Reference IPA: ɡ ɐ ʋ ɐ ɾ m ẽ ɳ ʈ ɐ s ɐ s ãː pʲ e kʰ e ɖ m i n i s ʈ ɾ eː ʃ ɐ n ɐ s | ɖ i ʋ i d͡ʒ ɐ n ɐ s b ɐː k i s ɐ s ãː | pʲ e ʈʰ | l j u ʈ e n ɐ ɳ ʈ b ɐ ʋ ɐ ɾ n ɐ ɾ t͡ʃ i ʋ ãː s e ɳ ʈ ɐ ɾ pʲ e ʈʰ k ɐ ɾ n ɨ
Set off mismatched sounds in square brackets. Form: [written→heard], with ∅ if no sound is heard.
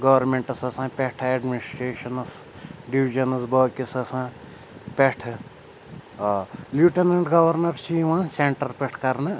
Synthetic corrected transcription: ɡ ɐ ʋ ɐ ɾ m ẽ ɳ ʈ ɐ s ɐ s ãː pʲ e [kʰ→ʈʰ] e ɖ m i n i s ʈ ɾ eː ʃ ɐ n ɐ s | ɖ i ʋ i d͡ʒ ɐ n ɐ s b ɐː k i s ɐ s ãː | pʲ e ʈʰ | l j u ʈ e n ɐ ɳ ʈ [b→ɡ] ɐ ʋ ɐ ɾ n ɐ ɾ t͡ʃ i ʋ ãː s e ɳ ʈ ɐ ɾ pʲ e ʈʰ k ɐ ɾ n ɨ